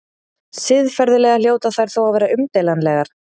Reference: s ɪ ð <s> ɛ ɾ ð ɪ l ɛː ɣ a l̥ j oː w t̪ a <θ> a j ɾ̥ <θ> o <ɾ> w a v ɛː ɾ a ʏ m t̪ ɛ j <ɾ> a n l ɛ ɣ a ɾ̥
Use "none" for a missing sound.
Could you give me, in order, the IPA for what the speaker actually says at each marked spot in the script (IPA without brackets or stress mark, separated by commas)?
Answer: f, θ, θ, none, l